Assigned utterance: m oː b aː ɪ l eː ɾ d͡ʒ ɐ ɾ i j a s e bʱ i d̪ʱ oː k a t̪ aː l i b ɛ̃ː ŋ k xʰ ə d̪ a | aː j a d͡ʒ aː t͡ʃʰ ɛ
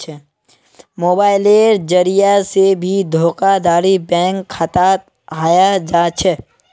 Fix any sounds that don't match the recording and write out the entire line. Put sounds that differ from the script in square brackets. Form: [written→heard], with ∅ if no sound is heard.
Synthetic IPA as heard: m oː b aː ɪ l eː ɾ d͡ʒ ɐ ɾ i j a s e bʱ i d̪ʱ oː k a [t̪→d̪] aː [l→ɾ] i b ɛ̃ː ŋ k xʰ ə [d̪→t̪] a | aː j a d͡ʒ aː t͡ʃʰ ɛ